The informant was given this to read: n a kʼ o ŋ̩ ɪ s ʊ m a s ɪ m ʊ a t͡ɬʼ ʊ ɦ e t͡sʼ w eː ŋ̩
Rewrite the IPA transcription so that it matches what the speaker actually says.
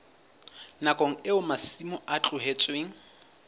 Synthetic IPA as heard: n a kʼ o ŋ̩ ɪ ʊ m a s i m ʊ a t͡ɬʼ ʊ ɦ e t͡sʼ w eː ŋ̩